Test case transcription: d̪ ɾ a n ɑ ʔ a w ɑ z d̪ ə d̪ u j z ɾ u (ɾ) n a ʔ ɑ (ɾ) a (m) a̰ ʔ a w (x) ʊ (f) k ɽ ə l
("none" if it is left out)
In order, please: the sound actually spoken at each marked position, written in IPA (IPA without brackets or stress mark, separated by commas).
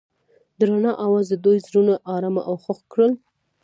none, ɾ, m, x, x